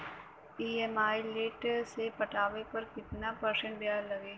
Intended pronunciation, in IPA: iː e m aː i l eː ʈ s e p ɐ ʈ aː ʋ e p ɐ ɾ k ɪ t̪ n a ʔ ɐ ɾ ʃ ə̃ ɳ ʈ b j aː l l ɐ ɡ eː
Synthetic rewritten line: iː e m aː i l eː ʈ s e p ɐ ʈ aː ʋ e p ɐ ɾ k ɪ t̪ n a p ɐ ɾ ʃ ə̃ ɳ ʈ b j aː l l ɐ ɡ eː